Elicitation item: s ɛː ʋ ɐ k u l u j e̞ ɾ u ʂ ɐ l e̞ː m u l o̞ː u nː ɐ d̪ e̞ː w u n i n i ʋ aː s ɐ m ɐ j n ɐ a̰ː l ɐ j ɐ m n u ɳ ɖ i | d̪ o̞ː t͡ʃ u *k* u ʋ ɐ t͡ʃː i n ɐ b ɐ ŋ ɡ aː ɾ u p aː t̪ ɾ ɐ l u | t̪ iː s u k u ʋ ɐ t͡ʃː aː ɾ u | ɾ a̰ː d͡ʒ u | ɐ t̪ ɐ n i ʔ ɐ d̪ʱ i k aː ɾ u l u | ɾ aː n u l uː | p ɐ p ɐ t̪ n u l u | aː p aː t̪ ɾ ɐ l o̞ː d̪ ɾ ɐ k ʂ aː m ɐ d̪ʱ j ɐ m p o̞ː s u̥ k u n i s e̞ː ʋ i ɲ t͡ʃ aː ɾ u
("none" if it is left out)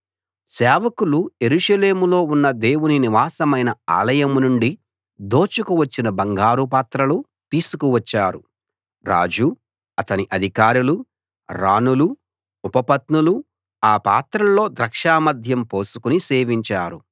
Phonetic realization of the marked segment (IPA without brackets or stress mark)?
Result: k